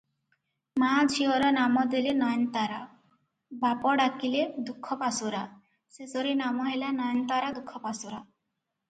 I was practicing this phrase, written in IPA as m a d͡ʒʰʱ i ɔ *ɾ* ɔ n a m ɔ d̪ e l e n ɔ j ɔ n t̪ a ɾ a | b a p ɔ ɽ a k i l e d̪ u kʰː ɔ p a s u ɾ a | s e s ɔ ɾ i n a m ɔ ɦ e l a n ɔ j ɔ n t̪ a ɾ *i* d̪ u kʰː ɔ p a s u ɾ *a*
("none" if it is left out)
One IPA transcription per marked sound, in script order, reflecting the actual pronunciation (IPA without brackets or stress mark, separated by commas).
ɾ, a, a